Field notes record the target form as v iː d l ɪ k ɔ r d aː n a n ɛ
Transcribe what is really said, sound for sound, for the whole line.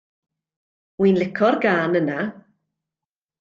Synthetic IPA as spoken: w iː n l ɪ kʰ ɔ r ɡ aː n ə n a